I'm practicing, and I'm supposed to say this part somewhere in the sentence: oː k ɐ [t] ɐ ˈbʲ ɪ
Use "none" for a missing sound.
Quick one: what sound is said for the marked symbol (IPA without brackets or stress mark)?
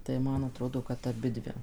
t